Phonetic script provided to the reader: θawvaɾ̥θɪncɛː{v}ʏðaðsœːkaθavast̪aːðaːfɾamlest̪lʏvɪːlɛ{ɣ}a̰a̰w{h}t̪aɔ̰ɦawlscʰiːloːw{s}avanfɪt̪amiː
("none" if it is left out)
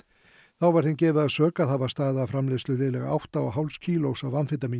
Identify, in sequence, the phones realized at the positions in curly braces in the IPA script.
v, ɣ, h, s

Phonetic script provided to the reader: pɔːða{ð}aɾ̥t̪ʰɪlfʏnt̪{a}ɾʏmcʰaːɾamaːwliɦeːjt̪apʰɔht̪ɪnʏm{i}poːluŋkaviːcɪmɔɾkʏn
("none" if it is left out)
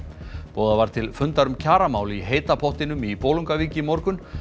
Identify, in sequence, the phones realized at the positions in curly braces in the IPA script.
v, a, i

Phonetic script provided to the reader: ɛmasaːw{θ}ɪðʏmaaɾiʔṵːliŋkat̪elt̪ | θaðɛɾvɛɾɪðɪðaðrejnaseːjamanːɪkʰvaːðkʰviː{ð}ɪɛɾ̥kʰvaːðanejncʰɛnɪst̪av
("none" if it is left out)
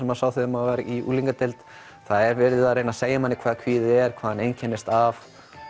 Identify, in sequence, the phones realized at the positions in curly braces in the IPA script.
θ, ð

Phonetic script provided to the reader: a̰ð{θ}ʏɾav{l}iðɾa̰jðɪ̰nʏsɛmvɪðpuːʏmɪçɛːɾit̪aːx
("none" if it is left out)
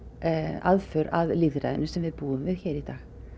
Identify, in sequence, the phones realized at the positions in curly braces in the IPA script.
f, l

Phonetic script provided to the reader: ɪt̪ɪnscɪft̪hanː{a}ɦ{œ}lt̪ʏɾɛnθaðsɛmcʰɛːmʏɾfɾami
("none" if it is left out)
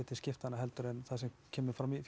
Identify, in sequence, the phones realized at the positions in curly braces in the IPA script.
a, ɛ

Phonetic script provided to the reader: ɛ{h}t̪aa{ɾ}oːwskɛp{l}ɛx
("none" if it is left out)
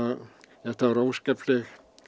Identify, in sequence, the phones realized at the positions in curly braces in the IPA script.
h, ɾ, l

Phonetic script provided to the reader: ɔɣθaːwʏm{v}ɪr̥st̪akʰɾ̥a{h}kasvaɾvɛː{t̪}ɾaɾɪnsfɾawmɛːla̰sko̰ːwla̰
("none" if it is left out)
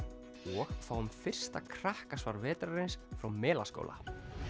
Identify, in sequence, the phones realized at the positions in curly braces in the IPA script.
f, h, t̪

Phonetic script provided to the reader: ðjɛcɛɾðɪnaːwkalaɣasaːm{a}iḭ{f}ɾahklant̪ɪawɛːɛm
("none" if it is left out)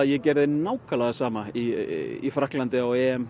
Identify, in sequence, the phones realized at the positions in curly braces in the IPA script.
a, f

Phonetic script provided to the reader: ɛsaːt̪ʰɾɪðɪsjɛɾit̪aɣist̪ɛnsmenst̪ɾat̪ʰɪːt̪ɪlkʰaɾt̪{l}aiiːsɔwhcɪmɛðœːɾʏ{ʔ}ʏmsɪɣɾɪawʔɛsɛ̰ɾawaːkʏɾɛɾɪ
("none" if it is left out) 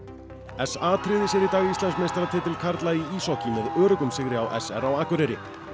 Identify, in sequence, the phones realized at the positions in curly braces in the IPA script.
l, k

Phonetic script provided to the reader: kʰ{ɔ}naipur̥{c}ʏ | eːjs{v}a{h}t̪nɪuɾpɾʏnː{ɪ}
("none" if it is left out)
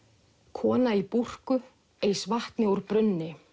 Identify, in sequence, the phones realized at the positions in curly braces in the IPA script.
ɔː, k, v, h, ɪ

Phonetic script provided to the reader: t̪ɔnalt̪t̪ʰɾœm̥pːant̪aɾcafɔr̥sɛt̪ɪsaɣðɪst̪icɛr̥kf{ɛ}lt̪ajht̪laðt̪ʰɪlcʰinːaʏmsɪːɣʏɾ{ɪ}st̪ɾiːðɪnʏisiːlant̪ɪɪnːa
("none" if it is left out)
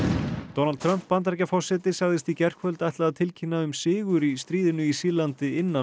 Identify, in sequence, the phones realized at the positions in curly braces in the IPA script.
œ, i

